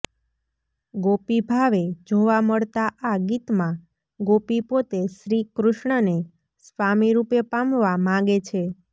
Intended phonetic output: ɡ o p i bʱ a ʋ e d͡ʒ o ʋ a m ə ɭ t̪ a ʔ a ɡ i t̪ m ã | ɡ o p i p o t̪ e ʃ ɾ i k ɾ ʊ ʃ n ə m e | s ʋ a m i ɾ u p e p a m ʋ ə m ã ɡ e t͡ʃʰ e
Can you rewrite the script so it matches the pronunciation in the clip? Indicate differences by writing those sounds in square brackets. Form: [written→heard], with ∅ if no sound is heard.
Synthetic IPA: ɡ o p i bʱ a ʋ e d͡ʒ o ʋ a m ə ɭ t̪ a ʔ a ɡ i t̪ m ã | ɡ o p i p o t̪ e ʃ ɾ i k ɾ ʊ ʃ [n→ɳ] ə [m→n] e | s ʋ a m i ɾ u p e p a m ʋ [ə→a] m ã ɡ e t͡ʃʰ e